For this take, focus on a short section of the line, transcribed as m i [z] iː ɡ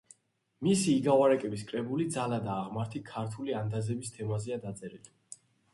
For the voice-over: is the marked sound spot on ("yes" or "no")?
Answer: no